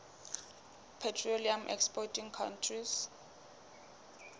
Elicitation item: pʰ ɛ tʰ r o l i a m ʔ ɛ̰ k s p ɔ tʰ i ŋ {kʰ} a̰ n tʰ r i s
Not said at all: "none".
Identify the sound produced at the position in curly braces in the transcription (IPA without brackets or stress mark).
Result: kʰ